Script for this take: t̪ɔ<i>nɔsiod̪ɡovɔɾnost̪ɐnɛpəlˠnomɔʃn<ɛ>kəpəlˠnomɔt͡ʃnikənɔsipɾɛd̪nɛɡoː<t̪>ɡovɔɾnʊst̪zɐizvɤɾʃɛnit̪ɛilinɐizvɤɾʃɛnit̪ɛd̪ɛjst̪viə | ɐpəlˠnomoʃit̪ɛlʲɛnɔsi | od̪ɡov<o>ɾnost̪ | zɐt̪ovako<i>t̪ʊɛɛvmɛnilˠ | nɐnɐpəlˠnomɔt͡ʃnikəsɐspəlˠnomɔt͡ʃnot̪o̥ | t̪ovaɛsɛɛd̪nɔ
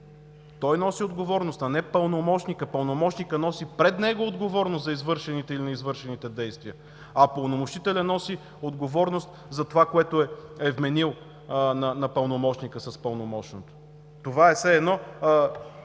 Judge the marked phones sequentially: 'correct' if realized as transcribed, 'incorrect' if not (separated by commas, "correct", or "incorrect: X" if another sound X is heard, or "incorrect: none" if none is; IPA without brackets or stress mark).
incorrect: j, incorrect: i, incorrect: d̪, incorrect: ɔ, incorrect: ɛ